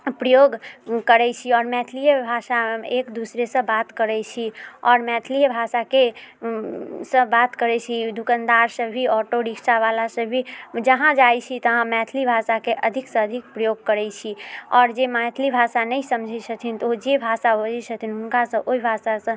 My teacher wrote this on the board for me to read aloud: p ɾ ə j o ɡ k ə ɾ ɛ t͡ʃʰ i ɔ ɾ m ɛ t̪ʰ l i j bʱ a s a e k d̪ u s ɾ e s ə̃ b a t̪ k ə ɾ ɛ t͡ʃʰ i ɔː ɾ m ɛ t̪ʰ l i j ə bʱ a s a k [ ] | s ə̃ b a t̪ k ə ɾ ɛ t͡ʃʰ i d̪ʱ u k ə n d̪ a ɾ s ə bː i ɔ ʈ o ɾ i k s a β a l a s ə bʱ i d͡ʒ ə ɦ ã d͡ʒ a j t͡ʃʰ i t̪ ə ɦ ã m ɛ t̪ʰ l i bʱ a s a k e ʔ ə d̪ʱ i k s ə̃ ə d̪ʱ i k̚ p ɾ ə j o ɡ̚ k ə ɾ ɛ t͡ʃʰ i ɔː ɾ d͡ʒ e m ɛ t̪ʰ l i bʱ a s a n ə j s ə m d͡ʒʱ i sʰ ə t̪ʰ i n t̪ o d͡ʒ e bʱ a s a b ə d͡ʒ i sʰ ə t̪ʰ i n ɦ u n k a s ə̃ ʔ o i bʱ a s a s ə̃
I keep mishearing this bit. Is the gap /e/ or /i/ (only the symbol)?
e